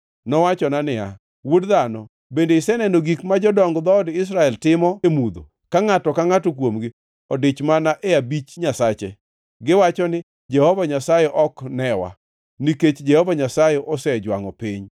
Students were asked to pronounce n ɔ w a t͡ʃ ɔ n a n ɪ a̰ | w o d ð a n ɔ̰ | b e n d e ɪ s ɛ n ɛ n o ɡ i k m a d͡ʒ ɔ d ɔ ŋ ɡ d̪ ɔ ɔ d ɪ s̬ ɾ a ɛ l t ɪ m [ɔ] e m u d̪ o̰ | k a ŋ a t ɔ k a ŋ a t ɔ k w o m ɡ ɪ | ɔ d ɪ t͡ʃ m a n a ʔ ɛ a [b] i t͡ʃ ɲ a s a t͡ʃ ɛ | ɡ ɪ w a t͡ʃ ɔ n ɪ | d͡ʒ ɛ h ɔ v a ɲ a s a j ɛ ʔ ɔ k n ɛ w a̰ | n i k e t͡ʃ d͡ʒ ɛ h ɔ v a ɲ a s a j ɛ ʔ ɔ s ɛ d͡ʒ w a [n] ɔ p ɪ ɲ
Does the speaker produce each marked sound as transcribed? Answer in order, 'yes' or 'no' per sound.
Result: yes, yes, no

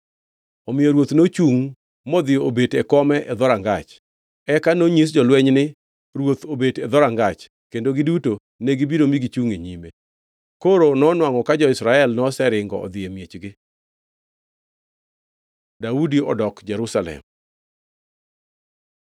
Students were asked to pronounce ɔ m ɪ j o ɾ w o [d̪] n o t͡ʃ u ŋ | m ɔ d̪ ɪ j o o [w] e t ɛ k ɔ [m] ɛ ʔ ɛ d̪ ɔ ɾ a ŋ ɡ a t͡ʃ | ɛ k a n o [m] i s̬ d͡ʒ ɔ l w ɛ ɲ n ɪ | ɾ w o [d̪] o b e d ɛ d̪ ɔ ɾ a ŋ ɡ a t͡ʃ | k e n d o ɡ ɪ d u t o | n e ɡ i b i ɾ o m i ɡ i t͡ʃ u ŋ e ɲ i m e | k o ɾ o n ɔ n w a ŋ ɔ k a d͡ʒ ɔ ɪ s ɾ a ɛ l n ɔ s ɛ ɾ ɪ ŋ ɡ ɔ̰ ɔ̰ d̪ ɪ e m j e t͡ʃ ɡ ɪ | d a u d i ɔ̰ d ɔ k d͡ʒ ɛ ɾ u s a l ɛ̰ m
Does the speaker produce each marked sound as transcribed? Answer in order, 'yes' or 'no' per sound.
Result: no, no, yes, no, no

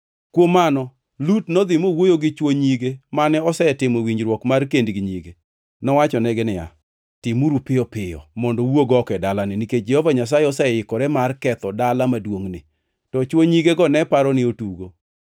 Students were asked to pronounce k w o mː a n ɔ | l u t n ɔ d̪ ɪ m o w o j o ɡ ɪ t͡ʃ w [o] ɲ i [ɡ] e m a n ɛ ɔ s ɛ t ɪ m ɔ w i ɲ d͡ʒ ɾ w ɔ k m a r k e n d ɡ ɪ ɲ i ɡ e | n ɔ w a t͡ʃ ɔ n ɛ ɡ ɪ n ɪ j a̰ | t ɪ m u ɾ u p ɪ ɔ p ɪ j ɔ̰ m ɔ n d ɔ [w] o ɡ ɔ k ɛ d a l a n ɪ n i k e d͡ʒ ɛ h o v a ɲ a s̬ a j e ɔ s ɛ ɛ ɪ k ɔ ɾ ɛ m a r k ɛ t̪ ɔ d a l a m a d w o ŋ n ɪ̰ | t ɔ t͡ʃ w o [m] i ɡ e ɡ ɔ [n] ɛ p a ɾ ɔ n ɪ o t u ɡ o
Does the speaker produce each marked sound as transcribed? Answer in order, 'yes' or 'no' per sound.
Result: yes, yes, yes, no, yes

